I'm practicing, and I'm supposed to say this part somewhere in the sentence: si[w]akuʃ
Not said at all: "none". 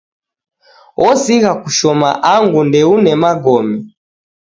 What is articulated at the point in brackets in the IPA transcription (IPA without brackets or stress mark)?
ɣ